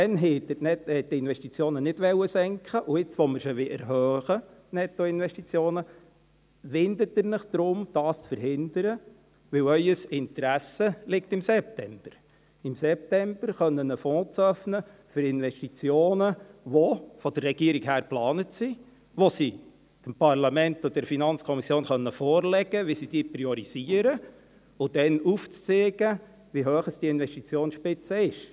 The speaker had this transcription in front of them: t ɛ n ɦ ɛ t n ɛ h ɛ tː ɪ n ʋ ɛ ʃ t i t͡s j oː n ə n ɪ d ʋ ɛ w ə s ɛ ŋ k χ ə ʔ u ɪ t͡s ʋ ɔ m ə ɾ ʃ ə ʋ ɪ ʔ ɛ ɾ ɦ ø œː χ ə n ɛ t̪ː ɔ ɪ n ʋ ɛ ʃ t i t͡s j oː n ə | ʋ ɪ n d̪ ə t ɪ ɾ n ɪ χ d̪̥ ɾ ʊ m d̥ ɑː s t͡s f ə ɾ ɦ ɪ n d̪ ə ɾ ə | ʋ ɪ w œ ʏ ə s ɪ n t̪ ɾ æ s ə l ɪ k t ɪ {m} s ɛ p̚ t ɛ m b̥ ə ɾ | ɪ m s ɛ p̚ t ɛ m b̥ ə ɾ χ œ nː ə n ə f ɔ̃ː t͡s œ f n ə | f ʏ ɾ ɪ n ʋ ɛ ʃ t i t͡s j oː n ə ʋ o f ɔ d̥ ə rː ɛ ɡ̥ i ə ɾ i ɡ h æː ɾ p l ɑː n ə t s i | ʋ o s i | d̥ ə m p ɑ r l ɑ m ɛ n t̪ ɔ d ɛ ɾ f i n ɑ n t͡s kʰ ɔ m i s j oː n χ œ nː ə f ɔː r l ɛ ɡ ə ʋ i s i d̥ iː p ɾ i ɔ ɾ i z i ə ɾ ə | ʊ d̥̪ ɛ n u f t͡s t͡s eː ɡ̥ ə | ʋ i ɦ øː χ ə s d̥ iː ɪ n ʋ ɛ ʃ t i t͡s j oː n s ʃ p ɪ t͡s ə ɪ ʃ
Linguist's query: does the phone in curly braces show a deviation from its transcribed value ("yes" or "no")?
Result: no